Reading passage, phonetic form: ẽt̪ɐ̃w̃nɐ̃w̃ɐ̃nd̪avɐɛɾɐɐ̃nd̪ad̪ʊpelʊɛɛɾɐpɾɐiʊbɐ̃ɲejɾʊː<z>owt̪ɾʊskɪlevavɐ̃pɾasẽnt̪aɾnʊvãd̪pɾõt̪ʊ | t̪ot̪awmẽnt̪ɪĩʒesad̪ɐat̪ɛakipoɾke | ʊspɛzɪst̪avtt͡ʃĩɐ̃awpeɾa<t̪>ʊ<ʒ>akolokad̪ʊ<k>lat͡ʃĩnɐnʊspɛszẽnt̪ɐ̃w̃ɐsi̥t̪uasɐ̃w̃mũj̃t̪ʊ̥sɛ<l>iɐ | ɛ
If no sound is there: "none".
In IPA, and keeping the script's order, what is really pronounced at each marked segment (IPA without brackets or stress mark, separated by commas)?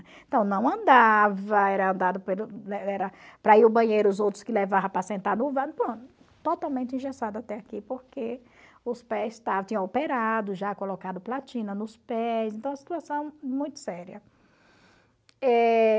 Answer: z, d̪, ʒ, p, ɾ